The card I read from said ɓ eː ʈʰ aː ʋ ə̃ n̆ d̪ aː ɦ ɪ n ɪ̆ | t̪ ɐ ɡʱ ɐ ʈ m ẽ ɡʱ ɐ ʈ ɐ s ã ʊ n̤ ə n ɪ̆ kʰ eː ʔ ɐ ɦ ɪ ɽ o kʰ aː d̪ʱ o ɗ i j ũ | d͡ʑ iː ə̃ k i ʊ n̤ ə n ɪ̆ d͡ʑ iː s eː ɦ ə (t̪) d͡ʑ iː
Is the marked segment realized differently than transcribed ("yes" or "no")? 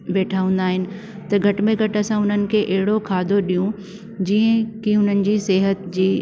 no